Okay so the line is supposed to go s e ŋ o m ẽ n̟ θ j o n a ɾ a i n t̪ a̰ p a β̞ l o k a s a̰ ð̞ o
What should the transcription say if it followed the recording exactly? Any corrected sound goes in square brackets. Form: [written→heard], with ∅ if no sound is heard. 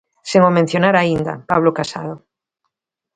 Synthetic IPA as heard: s e ŋ o m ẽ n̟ θ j o n a ɾ a i n [t̪→d̪] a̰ p a β̞ l o k a s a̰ ð̞ o